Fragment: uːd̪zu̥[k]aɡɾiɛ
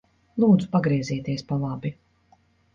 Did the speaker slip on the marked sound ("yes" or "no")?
yes